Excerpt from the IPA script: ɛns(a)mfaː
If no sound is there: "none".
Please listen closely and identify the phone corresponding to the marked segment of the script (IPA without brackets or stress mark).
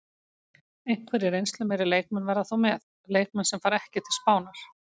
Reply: ɛ